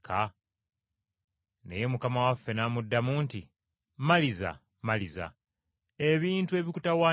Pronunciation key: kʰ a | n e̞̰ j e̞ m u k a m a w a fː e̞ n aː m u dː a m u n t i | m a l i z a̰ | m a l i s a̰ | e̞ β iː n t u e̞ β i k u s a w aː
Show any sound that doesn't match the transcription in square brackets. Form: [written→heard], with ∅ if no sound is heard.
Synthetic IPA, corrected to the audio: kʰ a | n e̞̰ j e̞ m u k a m a w a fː e̞ n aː m u dː a m u n t i | m a l i z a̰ | m a l i [s→z] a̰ | e̞ β iː n t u e̞ β i k u [s→t] a w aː